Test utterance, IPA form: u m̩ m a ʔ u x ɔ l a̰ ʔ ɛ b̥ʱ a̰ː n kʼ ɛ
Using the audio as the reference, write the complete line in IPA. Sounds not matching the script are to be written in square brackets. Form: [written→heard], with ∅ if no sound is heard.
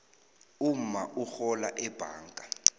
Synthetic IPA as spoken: u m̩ m a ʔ u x ɔ l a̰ ʔ ɛ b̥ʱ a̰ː [n→ŋ] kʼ [ɛ→a]